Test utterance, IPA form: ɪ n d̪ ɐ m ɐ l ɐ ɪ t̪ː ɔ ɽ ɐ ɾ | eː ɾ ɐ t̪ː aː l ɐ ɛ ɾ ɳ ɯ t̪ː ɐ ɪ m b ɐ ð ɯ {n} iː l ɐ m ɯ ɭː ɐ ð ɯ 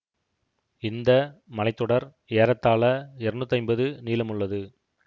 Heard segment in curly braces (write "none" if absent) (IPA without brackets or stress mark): n